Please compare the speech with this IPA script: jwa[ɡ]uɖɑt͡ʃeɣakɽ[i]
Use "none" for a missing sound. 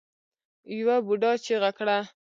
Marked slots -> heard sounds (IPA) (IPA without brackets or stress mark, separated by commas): b, a